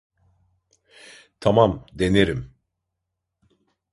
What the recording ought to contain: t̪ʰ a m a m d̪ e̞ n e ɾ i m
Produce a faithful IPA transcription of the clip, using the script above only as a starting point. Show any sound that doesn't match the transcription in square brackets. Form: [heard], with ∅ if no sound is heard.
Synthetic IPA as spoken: t̪ʰ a m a m d̪ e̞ n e ɾ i m